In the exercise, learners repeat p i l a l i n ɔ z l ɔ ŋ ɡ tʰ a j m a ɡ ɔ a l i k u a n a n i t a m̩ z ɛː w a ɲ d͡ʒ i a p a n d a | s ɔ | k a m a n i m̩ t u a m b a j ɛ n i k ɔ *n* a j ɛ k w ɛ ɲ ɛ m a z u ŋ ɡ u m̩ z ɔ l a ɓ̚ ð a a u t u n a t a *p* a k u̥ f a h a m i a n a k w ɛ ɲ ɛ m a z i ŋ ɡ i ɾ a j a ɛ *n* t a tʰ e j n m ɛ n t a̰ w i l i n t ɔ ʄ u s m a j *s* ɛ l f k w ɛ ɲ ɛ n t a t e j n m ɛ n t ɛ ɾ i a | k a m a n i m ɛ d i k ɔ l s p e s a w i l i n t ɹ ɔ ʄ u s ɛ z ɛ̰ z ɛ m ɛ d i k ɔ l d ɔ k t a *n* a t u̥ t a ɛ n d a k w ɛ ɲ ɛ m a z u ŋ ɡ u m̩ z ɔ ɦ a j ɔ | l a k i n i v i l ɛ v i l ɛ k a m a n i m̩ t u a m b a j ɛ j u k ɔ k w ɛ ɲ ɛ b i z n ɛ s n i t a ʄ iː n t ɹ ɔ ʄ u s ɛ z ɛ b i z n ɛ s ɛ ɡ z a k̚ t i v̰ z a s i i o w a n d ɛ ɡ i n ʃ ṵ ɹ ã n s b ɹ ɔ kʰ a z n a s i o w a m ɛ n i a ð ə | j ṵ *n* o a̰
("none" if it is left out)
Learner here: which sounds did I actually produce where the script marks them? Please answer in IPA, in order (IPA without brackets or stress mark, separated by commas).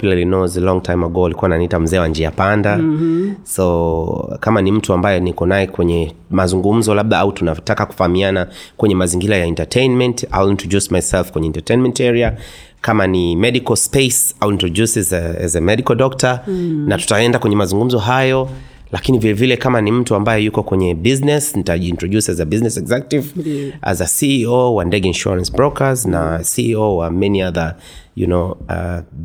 n, k, n, s, n, n